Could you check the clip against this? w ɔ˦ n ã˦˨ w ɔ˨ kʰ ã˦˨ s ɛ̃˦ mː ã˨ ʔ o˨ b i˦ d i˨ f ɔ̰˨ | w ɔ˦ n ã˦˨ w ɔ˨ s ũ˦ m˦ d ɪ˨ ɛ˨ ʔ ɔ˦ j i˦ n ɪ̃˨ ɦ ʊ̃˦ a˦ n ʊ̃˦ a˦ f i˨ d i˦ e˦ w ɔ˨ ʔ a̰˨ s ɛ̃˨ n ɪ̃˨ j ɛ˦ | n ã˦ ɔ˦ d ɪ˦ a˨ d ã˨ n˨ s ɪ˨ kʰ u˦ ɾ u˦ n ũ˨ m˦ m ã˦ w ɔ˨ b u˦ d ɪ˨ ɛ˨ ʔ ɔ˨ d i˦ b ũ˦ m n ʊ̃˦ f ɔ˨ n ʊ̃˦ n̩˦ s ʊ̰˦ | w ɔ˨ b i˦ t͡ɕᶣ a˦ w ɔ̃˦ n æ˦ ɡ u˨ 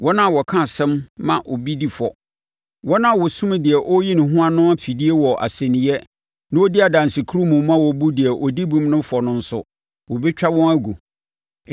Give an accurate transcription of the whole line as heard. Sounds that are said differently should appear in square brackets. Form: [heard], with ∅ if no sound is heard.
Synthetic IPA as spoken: w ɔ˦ n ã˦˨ w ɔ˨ kʰ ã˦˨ s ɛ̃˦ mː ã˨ ʔ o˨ b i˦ d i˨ f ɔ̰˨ | w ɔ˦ n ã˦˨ w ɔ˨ s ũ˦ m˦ d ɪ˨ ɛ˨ ʔ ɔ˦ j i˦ n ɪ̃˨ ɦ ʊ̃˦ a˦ n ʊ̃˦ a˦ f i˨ d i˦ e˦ w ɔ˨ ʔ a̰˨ s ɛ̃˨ n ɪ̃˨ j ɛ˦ | n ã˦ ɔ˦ d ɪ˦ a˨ d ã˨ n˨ s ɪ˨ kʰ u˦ ɾ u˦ [m] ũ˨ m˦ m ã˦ w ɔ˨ b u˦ d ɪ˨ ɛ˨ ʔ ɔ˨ d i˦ b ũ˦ m n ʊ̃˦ f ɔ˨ n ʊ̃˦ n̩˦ s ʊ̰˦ | w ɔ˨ b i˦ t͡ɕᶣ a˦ w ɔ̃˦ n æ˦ ɡ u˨

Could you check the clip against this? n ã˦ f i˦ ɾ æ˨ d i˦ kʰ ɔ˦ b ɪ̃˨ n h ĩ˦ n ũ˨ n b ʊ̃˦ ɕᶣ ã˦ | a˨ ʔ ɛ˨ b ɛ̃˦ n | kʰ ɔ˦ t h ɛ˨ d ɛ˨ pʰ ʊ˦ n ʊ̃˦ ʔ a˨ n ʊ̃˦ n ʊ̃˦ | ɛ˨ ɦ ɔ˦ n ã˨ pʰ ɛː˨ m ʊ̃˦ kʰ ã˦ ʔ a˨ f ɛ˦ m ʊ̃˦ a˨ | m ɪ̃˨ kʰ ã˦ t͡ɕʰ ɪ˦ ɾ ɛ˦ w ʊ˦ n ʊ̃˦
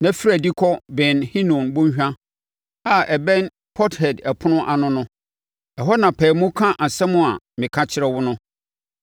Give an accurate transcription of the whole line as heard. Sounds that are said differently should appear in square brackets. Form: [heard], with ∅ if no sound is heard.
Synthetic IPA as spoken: n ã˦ f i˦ ɾ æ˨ d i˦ kʰ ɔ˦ b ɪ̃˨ n h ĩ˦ n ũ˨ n b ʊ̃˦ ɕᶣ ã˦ | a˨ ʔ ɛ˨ b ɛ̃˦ n | [pʰ] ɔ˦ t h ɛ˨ d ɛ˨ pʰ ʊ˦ n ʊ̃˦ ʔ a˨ n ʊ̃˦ n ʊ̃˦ | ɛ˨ ɦ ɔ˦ n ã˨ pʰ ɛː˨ m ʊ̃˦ kʰ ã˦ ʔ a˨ [s] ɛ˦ m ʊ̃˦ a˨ | m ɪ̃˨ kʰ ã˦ t͡ɕʰ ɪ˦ ɾ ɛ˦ w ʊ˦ n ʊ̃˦

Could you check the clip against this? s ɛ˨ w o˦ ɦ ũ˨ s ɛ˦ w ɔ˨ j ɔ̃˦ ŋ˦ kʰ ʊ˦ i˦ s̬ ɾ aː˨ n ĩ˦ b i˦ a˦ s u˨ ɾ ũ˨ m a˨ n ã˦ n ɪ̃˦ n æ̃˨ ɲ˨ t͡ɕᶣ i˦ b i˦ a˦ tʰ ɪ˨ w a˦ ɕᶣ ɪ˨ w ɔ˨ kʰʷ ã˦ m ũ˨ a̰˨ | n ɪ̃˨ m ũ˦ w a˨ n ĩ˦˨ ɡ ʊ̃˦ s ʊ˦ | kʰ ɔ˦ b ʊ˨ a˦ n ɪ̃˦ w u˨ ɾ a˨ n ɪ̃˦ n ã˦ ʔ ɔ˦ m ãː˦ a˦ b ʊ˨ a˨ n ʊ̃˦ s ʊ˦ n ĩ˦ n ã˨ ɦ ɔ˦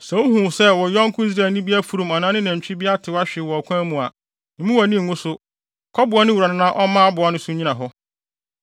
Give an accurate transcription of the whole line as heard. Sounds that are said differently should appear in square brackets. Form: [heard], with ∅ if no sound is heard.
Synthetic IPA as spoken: s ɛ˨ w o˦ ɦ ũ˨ s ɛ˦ w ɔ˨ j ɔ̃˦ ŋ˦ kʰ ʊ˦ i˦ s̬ ɾ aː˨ n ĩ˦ b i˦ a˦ [f] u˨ ɾ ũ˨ m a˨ n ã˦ n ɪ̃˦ n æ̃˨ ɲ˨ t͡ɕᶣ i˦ b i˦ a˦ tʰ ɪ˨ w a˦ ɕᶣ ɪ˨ w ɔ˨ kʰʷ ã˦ m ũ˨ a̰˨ | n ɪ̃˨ m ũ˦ w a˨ n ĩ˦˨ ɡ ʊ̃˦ s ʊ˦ | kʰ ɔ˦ b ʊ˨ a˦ n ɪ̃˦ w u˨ ɾ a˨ n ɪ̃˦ n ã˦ ʔ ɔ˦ m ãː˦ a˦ b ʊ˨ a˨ n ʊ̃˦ s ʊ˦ [ɲ] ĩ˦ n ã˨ ɦ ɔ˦

